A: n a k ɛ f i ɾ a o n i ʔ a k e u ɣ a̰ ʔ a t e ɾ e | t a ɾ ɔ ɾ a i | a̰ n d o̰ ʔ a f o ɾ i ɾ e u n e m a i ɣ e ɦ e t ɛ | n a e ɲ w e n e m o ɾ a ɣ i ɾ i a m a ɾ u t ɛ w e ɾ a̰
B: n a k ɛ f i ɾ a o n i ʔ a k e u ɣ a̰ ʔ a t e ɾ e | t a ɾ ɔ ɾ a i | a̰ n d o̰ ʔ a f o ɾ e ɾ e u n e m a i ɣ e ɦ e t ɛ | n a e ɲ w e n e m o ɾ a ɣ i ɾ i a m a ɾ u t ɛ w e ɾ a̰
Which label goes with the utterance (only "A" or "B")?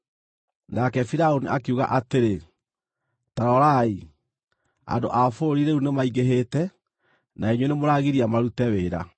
A